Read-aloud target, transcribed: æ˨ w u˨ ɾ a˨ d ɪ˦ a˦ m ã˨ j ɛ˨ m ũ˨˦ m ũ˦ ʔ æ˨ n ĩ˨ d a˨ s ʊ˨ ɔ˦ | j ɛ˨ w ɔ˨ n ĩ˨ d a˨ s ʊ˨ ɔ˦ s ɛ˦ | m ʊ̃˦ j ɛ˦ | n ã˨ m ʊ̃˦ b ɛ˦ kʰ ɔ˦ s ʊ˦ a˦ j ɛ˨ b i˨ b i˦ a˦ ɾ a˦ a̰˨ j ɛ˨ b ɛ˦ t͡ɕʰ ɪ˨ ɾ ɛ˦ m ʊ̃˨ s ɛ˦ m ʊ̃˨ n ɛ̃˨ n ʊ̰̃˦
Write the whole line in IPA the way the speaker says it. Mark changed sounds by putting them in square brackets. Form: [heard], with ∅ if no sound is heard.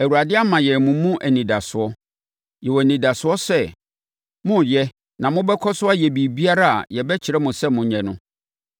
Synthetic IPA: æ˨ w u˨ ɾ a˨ d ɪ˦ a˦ m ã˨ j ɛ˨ m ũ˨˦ m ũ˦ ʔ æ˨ n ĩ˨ d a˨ s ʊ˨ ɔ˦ | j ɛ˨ w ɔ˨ n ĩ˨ d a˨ s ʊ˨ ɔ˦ s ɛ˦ | m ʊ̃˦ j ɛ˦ | n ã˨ m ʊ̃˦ b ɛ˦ kʰ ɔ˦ s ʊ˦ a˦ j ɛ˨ b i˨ b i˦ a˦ ɾ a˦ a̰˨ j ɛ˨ b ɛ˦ t͡ɕʰ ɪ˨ ɾ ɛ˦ m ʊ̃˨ s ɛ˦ m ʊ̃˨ [ɲ] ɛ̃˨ n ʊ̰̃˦